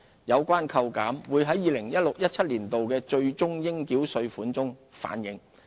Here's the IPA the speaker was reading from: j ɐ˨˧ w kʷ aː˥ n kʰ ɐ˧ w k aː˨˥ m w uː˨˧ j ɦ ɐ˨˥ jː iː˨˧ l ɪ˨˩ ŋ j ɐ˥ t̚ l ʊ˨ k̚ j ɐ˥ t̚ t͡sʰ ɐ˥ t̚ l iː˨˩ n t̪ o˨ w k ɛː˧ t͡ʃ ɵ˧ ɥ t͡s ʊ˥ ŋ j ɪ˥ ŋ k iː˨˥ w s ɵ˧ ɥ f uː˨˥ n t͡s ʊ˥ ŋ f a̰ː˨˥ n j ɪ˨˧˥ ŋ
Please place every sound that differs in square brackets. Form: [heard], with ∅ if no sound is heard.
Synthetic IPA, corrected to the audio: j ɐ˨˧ w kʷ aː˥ n kʰ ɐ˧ w k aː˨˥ m w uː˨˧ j ɦ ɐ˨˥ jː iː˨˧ l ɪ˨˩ ŋ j ɐ˥ t̚ l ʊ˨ k̚ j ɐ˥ t̚ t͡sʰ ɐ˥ t̚ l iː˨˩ n t̪ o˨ w k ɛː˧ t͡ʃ ɵ˧ ɥ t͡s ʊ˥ ŋ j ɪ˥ ŋ k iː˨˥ w s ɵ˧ ɥ f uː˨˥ n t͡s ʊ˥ ŋ f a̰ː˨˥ n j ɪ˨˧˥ ŋ

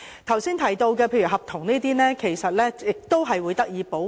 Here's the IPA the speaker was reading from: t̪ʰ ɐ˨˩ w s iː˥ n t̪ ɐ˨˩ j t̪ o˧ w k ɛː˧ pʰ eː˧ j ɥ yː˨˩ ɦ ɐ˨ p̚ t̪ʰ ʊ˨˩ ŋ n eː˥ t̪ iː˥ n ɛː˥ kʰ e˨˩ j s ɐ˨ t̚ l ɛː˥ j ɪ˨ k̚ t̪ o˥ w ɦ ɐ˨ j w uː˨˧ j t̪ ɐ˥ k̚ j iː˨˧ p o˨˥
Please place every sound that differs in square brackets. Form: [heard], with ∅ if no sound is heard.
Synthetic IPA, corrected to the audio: t̪ʰ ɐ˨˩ w s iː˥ n [t̪ʰ] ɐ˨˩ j t̪ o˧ w k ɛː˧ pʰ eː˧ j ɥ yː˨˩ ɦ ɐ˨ p̚ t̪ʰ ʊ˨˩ ŋ n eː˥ t̪ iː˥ n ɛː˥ kʰ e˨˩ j s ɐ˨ t̚ l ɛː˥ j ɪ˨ k̚ t̪ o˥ w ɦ ɐ˨ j w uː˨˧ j t̪ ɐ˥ k̚ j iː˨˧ p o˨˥

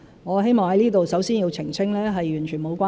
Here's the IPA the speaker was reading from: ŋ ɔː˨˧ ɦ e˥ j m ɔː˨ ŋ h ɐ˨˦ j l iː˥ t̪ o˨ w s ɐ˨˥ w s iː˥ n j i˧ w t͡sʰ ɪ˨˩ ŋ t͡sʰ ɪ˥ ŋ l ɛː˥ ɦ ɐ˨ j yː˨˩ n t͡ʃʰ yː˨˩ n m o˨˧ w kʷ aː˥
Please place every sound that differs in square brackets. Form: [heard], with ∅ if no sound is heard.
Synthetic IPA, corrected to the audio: ŋ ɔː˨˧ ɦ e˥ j m ɔː˨ ŋ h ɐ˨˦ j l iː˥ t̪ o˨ w s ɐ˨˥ w s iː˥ n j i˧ w t͡sʰ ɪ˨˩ ŋ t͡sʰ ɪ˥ ŋ l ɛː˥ ɦ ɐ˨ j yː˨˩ n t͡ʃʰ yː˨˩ n m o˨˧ w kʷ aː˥

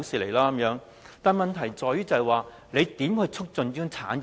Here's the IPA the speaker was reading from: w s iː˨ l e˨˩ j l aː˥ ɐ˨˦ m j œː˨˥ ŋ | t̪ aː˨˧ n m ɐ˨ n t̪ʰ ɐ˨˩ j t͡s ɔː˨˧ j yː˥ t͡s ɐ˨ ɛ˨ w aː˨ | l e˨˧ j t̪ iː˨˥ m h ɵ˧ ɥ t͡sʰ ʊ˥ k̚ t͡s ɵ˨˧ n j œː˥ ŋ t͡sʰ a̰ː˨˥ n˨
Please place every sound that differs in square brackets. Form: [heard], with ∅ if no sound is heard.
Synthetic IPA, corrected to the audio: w s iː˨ l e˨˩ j l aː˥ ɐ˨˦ m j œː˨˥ ŋ | t̪ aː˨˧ n m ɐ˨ n t̪ʰ ɐ˨˩ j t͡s ɔː˨˧ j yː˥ t͡s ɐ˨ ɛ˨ w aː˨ | l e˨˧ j t̪ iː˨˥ m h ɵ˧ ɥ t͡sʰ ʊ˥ k̚ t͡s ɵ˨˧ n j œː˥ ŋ t͡sʰ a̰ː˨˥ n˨

